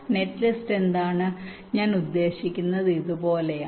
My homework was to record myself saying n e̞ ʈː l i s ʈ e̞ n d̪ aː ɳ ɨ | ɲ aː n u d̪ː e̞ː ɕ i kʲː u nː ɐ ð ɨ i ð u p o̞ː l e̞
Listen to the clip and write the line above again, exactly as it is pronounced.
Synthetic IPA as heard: n e̞ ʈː l i s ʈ e̞ n d̪ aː ɳ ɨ | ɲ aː n u d̪ː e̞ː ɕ i kʲː u nː ɐ ð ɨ i ð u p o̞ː l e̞

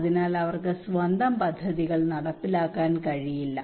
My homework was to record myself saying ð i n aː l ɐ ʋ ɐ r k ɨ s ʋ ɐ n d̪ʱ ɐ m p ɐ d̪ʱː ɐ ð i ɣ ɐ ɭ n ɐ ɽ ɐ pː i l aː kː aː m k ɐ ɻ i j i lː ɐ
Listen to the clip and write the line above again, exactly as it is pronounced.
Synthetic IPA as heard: ð i n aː l ɐ ʋ ɐ r k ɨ s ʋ ɐ n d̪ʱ ɐ m p ɐ d̪ʱː ɐ ð i ɣ ɐ ɭ n ɐ ɽ ɐ pː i l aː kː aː n k ɐ ɻ i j i lː ɐ

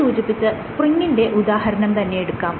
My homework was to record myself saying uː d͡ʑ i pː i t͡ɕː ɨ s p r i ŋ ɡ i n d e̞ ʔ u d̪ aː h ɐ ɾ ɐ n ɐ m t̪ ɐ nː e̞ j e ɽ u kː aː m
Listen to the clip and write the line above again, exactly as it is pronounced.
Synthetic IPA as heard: uː d͡ʑ i pː i t͡ɕː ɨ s p r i ŋ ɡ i n d e̞ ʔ u d̪ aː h ɐ ɾ ɐ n ɐ m t̪ ɐ nː e̞ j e ɽ u kː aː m

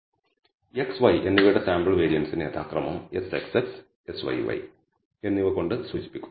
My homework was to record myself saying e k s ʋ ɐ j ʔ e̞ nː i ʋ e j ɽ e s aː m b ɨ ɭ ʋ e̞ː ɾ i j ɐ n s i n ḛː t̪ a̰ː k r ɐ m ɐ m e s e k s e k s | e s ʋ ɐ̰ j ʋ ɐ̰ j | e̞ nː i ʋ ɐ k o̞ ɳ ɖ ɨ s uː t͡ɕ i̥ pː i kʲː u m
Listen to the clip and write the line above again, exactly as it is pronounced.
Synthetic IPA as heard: e k s ʋ ɐ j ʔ e̞ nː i ʋ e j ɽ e s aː m b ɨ ɭ ʋ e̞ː ɾ i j ɐ n s i n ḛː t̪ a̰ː k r ɐ m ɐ m e s e k s e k s | e s ʋ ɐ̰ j ʋ ɐ̰ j | e̞ nː i ʋ ɐ k o̞ ɳ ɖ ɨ s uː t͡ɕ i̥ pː i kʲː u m

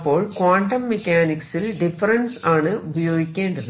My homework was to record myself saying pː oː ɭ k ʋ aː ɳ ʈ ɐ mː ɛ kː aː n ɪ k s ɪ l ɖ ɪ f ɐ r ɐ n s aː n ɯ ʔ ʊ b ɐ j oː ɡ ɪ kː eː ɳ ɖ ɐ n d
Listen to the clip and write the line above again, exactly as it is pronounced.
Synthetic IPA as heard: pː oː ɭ k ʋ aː ɳ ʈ ɐ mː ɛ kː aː n ɪ k s ɪ l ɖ ɪ f ɐ ɾ ɐ n s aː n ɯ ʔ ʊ b ɐ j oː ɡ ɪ kː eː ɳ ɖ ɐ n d

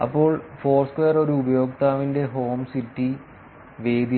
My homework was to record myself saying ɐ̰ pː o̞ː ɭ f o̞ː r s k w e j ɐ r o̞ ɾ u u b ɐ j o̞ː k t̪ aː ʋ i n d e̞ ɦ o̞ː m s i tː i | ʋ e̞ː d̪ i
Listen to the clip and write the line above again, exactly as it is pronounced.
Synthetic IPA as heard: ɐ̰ pː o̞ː ɭ f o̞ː r s k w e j ɐ r o̞ ɾ u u b ɐ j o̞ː k t̪ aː ʋ i n d e̞ ɦ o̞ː m s i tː i | ʋ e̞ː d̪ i

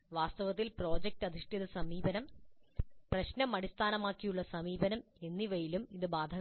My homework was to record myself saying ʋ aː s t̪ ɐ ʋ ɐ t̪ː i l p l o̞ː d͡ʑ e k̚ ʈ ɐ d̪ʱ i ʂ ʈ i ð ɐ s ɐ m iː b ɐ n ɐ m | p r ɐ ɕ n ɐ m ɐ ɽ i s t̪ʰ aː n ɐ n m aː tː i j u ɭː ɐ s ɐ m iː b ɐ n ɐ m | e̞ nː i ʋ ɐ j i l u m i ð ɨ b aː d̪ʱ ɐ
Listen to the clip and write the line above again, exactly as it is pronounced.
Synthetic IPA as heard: ʋ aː s t̪ ɐ ʋ ɐ t̪ː i l p r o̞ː d͡ʑ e k̚ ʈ ɐ d̪ʱ i ʂ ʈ i ð ɐ s ɐ m iː b ɐ n ɐ m | p r ɐ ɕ n ɐ m ɐ ɽ i s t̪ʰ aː n ɐ m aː kː i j u ɭː ɐ s ɐ m iː b ɐ n ɐ m | e̞ nː i ʋ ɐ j i l u m i ð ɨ b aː d̪ʱ ɐ

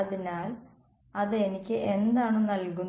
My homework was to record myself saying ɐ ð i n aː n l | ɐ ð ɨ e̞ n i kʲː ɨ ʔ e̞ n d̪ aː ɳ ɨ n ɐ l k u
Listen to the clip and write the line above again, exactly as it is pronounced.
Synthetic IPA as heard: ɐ ð i n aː l | ɐ ð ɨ e̞ n i kʲː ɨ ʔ e̞ n d̪ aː ɳ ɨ n ɐ l k u

